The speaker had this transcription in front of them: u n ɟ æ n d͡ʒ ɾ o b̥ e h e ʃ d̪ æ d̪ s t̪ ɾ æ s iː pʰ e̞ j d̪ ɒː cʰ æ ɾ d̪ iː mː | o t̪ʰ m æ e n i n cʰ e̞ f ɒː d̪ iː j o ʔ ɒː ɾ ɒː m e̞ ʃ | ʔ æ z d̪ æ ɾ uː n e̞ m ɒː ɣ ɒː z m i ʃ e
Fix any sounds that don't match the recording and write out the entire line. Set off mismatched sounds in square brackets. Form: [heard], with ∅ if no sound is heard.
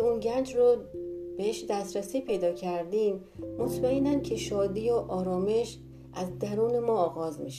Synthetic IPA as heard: u n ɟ æ n d͡ʒ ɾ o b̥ e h e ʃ d̪ æ [∅] s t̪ ɾ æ s iː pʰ e̞ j d̪ ɒː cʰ æ ɾ d̪ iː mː | o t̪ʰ m æ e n [æ] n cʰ e̞ [ʃ] ɒː d̪ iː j o ʔ ɒː ɾ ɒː m e̞ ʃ | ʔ æ z d̪ æ ɾ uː n e̞ m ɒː ɣ ɒː z m i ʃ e